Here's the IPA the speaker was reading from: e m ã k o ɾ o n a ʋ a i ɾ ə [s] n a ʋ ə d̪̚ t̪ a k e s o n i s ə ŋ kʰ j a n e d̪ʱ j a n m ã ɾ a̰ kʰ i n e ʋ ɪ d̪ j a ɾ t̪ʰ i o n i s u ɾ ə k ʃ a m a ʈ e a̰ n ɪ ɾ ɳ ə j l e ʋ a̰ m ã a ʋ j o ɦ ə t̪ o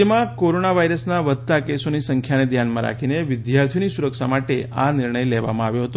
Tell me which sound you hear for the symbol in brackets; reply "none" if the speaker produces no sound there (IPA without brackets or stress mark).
s